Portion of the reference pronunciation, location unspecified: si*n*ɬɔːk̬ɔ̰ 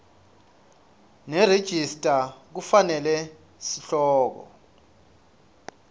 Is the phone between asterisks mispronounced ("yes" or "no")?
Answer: yes